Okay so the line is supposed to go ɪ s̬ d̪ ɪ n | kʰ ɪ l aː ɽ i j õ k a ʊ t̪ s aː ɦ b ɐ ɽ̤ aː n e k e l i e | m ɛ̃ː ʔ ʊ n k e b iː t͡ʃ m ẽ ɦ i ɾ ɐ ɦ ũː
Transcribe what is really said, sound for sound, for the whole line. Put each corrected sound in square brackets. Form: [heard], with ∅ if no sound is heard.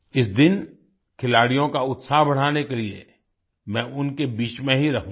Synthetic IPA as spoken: ɪ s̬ d̪ ɪ n | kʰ ɪ l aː ɽ i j õ k a ʊ t̪ s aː ɦ b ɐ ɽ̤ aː n e k e l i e | m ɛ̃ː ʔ ʊ n k e b iː t͡ʃ m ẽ ɦ i ɾ ɐ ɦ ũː